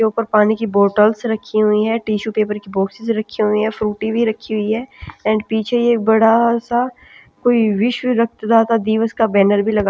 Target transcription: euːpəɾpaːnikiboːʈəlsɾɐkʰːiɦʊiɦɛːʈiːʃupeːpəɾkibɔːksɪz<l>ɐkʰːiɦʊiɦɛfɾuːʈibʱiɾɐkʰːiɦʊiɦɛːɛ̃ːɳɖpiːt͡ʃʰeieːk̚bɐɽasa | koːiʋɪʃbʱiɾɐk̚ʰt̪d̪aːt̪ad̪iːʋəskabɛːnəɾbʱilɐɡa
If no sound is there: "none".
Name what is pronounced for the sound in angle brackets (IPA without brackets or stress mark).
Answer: ɾ